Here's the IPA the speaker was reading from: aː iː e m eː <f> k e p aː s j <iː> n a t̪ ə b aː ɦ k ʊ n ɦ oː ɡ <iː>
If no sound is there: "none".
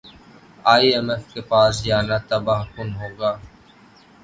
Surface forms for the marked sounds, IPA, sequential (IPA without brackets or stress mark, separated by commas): f, aː, aː